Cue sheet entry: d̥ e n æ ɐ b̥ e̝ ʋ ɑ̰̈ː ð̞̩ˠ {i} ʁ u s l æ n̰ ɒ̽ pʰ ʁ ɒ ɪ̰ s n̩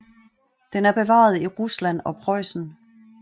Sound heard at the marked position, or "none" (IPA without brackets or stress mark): i